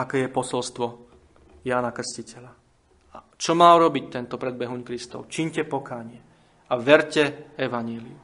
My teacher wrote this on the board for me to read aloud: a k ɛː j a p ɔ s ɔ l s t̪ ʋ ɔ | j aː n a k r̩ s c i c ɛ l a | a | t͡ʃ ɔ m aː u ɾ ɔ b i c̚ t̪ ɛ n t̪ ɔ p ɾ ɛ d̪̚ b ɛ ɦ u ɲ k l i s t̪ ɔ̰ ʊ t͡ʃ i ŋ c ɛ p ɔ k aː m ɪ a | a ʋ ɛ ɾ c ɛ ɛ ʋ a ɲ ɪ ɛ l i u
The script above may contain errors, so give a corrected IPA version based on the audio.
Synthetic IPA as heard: a k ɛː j ɛ p ɔ s ɔ l s t̪ ʋ ɔ | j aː n a k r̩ s c i c ɛ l a | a | t͡ʃ ɔ m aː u ɾ ɔ b i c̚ t̪ ɛ n t̪ ɔ p ɾ ɛ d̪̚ b ɛ ɦ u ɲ k ɾ i s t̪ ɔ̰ ʊ t͡ʃ i ɲ c ɛ p ɔ k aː ɲ ɪ ɛ | a ʋ ɛ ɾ c ɛ ɛ ʋ a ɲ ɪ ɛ l i u